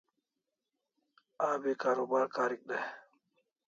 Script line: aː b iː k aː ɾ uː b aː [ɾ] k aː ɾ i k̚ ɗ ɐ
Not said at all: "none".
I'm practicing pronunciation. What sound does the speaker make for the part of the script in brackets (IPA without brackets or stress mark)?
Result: ɾ